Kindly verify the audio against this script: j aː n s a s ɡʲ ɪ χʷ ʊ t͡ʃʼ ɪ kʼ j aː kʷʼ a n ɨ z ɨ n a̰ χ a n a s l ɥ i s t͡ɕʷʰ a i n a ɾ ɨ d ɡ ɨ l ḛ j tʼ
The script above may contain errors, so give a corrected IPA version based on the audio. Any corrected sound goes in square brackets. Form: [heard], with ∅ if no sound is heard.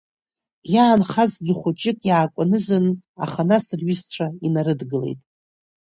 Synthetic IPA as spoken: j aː n [χ] a [z] ɡʲ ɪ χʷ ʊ t͡ʃʼ ɪ kʼ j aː kʷʼ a n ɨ z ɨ n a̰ χ a n a s [r] ɥ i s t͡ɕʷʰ a i n a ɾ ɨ d ɡ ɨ l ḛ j tʼ